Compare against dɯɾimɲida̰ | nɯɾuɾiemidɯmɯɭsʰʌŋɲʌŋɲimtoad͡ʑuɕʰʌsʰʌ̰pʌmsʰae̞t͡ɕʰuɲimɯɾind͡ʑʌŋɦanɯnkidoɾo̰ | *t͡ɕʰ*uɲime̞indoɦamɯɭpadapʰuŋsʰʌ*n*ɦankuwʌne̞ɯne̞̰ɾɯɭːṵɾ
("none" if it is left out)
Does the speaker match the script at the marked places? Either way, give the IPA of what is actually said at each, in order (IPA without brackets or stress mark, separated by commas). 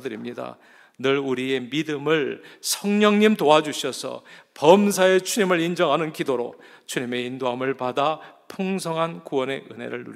t͡ɕʰ, ŋ